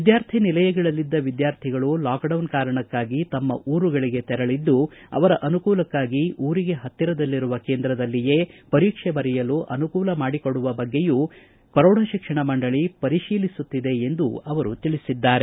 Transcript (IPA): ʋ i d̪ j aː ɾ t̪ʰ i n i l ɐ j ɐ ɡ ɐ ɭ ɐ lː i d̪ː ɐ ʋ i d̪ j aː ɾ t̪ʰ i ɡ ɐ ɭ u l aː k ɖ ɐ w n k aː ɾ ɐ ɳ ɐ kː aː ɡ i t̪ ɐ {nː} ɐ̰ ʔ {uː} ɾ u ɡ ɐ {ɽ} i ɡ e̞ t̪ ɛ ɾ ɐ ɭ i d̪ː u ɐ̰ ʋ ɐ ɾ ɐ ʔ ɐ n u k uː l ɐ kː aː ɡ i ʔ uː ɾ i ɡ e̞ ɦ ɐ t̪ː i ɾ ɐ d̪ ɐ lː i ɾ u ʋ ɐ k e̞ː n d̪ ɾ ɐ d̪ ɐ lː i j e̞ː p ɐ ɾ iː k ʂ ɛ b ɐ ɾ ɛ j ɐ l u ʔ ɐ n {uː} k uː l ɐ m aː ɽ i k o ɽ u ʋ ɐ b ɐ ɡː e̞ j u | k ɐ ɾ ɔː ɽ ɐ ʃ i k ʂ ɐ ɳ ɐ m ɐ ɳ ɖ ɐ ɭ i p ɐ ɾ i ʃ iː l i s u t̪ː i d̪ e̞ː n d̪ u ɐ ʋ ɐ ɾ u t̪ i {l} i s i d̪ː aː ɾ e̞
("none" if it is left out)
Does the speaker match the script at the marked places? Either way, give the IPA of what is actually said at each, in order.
mː, uː, ɭ, u, ɭ

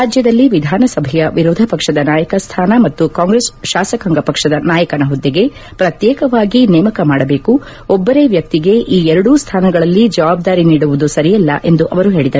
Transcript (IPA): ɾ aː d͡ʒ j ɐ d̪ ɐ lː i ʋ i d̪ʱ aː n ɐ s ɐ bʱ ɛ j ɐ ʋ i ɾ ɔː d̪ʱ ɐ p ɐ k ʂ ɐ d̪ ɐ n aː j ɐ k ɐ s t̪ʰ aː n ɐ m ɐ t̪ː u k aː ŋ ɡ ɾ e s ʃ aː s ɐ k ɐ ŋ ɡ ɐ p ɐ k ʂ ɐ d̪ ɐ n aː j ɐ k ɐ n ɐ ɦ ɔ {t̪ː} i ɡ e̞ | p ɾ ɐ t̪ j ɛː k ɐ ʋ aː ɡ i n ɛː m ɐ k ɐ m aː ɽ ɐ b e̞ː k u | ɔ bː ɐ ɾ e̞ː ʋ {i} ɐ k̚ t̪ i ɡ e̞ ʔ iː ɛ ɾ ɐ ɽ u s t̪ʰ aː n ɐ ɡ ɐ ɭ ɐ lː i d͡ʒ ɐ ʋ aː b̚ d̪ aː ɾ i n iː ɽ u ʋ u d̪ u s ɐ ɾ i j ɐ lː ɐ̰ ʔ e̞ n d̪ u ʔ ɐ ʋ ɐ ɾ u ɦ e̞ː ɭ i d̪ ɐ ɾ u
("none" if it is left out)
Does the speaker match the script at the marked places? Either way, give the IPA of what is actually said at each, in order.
d̪ː, j

